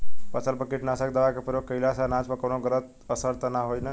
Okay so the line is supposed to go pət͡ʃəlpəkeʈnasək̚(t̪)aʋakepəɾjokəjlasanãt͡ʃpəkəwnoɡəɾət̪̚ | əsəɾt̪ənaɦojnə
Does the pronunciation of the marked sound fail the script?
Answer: yes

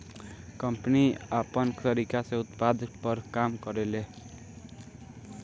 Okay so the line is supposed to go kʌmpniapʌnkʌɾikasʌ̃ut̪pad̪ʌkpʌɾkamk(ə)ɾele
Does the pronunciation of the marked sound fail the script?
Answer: yes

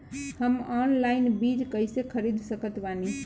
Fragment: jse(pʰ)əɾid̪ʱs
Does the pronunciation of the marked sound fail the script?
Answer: yes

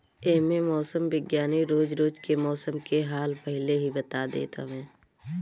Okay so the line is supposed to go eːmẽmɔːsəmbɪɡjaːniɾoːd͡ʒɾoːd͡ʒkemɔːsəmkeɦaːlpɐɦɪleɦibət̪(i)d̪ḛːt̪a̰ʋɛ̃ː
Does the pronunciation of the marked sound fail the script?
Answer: yes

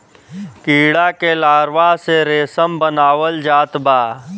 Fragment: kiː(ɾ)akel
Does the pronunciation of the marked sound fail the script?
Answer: yes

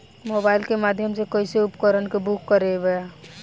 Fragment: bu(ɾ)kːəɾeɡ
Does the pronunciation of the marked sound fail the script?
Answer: yes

